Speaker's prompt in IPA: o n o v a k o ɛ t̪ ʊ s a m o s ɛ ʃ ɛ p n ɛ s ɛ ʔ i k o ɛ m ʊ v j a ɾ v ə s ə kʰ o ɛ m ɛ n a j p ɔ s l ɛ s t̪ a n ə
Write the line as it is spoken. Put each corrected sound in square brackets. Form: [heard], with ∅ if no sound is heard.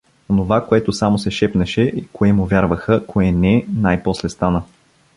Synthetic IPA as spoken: o n o v a k o ɛ t̪ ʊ s a m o s ɛ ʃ ɛ p n ɛ [ʃ] ɛ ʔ i k o ɛ m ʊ v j a ɾ v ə [x] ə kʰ o ɛ [n] ɛ n a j p ɔ s l ɛ s t̪ a n ə